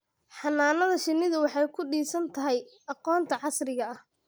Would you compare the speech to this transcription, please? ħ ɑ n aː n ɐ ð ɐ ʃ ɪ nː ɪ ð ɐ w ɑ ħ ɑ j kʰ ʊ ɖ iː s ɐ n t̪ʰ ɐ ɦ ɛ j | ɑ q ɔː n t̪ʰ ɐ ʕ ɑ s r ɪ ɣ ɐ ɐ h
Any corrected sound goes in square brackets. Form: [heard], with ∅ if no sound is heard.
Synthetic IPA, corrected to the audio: ħ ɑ n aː n ɐ ð ɐ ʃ ɪ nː ɪ ð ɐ w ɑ ħ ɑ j kʰ ʊ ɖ iː s ɐ n t̪ʰ ɐ ɦ ɛ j | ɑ q ɔː n t̪ʰ ɐ ʕ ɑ s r ɪ ɣ ɐ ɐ h